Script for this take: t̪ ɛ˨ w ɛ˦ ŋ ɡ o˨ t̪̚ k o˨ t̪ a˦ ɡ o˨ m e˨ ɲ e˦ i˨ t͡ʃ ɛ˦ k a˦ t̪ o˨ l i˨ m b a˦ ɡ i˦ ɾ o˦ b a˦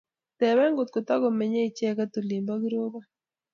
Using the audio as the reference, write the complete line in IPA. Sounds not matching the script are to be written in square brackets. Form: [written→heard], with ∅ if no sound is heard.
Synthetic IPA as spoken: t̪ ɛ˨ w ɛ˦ ŋ ɡ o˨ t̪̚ k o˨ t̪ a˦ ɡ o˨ m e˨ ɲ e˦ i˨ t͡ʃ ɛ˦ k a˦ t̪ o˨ l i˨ m b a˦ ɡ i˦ ɾ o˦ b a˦